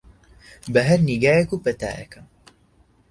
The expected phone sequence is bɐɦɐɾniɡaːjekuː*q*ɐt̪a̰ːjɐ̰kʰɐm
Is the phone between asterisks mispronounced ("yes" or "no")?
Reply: yes